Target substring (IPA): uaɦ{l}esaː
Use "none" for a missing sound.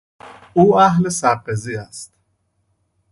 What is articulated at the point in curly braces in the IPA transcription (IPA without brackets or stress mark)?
l